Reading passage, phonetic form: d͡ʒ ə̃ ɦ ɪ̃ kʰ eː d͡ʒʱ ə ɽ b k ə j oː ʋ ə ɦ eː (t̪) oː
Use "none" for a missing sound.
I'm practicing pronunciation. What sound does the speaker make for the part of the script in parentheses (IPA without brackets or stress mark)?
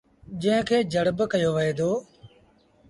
d̪